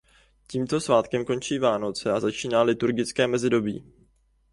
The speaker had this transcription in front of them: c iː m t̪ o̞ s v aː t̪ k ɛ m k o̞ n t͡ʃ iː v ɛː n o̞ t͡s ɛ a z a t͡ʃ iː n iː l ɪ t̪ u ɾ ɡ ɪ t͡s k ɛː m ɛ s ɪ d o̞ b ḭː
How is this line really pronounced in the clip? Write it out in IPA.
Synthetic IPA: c iː m t̪ o̞ s v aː t̪ k ɛ m k o̞ n t͡ʃ iː v aː n o̞ t͡s ɛ a z a t͡ʃ iː n aː l ɪ t̪ u ɾ ɡ ɪ t͡s k ɛː m ɛ z ɪ d o̞ b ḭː